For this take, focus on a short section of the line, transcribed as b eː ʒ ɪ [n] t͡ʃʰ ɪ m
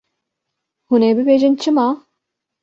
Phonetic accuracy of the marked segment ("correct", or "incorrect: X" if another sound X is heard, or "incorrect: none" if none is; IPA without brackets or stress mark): correct